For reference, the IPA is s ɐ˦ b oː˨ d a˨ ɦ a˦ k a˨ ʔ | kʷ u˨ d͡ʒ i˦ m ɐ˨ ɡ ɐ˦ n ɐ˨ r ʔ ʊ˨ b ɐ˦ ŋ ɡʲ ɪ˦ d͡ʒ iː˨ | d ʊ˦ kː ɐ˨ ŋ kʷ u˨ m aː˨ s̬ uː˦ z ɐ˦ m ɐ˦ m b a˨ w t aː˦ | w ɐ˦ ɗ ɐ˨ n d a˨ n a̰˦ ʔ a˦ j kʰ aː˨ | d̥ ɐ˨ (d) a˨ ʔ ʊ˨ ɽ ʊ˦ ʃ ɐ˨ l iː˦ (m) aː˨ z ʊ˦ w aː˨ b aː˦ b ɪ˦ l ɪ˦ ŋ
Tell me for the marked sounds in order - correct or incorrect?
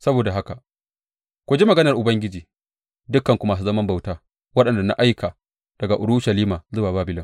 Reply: incorrect: ɡ, correct

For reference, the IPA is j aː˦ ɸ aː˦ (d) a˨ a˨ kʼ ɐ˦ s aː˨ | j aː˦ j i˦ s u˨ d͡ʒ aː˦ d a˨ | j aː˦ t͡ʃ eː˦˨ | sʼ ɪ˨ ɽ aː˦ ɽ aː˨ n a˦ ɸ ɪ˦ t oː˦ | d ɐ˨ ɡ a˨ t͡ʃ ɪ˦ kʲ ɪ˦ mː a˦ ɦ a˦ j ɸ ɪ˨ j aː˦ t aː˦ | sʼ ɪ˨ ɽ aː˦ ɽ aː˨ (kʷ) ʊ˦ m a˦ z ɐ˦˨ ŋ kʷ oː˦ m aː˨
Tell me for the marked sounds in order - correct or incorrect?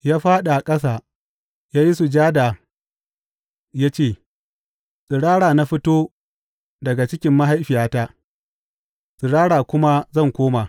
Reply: incorrect: ɗ, correct

